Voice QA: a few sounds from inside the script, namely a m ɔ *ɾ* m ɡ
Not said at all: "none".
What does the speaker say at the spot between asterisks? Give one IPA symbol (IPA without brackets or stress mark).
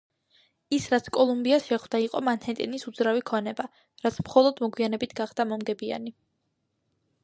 none